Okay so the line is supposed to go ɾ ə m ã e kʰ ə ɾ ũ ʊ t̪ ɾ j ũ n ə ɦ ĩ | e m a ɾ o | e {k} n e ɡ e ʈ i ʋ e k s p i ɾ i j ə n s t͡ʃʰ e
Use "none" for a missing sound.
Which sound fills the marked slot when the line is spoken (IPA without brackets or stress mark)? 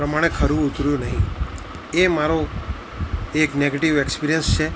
k